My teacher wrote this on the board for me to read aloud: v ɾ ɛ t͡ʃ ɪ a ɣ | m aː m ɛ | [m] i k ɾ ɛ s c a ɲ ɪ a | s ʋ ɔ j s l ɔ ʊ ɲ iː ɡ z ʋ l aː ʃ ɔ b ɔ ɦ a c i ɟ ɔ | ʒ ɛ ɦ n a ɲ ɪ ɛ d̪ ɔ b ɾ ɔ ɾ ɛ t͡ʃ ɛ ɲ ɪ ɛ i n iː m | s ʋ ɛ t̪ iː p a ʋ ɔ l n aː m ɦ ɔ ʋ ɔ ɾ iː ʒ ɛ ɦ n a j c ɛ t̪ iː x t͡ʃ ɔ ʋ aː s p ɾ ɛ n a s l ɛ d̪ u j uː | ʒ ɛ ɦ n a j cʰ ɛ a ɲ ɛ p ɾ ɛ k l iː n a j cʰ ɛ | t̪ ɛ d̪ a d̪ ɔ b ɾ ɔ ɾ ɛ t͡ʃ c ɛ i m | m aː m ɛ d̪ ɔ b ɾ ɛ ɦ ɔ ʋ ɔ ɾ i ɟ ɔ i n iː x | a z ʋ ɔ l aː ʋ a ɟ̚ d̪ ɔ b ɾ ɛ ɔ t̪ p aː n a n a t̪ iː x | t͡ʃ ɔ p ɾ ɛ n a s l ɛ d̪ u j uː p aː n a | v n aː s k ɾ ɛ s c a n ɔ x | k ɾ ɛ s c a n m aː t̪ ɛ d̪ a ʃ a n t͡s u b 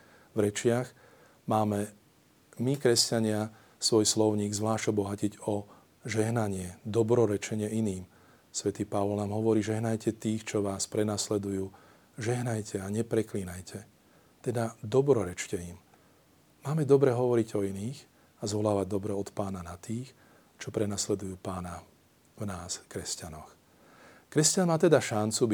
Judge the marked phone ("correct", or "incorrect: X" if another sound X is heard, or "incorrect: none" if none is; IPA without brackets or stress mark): correct